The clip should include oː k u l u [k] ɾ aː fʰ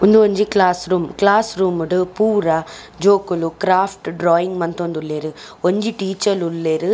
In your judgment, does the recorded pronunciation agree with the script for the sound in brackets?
yes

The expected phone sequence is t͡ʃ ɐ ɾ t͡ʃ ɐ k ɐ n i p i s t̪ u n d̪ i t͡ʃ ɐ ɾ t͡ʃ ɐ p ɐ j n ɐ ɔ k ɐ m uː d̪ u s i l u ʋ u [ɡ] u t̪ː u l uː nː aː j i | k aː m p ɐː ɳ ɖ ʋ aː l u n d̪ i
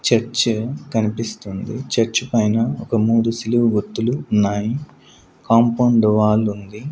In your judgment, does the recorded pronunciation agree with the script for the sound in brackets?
yes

